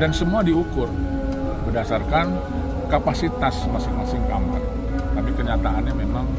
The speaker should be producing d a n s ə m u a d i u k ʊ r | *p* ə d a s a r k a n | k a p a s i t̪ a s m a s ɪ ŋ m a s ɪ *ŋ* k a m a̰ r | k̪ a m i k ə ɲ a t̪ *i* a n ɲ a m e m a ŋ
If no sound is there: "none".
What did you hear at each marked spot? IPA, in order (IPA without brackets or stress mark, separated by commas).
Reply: b, ŋ, a